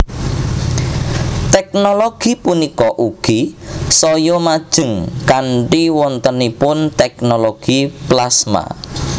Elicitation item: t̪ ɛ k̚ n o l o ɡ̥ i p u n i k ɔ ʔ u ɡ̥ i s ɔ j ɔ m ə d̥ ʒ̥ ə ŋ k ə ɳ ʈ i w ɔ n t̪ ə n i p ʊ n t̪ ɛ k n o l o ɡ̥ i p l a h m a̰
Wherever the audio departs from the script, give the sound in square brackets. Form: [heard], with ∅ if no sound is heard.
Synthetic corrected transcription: t̪ ɛ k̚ n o l o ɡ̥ i p u n i k ɔ ʔ u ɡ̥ i s ɔ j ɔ m [a] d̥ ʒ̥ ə ŋ k [a] ɳ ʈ i w ɔ n t̪ ə n i p ʊ n t̪ ɛ k n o l o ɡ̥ i p l a [s] m a̰